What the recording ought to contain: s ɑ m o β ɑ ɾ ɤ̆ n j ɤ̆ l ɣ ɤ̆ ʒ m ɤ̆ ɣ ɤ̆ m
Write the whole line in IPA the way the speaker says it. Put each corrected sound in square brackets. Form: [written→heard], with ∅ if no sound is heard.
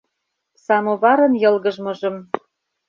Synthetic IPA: s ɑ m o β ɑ ɾ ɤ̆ n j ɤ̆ l ɣ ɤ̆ ʒ m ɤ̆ [ɣ→ʒ] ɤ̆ m

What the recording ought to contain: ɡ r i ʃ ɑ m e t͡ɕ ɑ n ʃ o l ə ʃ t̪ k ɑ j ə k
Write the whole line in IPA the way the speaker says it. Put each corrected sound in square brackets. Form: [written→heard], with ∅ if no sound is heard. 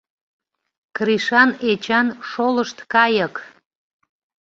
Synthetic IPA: [ɡ→k] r i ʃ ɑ [m→n] e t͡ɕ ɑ n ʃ o l ə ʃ t̪ k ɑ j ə k

